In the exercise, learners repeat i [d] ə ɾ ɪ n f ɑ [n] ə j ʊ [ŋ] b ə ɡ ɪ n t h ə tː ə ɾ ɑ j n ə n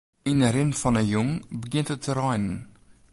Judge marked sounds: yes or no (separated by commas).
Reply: no, yes, yes